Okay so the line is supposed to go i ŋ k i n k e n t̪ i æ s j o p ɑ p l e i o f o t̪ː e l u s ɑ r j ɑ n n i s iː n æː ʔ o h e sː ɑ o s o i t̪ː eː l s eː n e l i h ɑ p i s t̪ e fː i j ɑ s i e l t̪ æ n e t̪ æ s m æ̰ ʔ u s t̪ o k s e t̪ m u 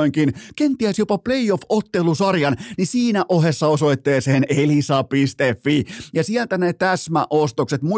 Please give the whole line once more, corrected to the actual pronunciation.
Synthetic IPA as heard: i ŋ k i n k e n t̪ i æ s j o p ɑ p l e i o f o t̪ː e l u s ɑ r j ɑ n n i s iː n æ ʔ o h e sː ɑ o s o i t̪ː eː s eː n e l i s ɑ p i s t̪ e fː i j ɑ s i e l t̪ æ n e t̪ æ s m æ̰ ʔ o s t̪ o k s e t̪ m u